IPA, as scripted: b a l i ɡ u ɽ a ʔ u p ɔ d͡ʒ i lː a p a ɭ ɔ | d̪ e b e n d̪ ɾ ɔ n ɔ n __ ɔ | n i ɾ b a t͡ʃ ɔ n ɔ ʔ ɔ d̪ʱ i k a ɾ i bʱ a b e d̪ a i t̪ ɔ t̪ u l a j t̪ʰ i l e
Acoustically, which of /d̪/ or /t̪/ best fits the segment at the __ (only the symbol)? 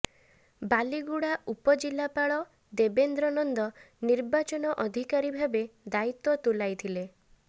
d̪